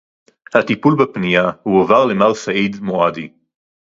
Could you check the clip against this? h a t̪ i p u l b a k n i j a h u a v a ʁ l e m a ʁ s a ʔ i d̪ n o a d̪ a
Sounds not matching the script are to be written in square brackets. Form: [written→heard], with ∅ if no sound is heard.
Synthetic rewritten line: h a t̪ i p u l b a [k→p] n i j a h u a v a ʁ l e m a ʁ s a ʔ i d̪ [n→m] o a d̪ [a→i]